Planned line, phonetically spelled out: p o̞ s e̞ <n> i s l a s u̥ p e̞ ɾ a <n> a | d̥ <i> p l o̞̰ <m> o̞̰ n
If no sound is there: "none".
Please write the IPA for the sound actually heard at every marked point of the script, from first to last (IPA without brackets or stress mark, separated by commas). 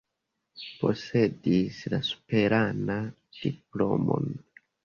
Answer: d, n, i, m